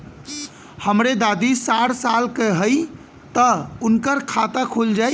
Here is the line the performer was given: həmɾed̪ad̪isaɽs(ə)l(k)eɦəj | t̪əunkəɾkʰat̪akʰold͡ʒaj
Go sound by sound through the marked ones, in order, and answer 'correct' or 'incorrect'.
incorrect: a, correct

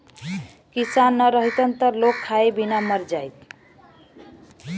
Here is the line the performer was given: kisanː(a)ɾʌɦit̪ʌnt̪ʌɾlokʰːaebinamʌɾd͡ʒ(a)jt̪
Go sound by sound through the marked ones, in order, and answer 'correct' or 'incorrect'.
incorrect: ʌ, correct

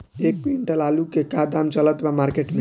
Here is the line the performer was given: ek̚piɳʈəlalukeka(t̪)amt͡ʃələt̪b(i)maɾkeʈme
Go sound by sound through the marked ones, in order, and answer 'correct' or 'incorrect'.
incorrect: d̪, incorrect: a

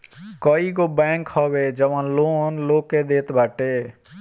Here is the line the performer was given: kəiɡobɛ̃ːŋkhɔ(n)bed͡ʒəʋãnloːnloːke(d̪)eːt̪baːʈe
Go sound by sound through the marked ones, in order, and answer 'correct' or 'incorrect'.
incorrect: none, correct

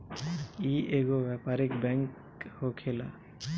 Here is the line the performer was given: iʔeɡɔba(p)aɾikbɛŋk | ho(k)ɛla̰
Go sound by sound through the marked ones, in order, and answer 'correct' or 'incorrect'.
correct, incorrect: kʰ

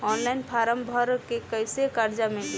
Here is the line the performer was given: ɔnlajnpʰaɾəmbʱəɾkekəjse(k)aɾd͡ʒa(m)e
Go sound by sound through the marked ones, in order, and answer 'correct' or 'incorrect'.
correct, correct

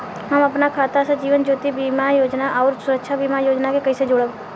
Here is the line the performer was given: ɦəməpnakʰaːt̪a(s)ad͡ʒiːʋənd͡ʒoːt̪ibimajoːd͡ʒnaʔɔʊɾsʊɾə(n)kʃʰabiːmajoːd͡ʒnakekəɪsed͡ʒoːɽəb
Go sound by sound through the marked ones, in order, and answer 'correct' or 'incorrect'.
correct, incorrect: none

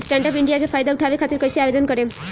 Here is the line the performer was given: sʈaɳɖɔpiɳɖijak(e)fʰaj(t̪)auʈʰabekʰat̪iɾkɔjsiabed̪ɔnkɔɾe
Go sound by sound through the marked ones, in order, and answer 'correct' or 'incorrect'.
correct, incorrect: d̪

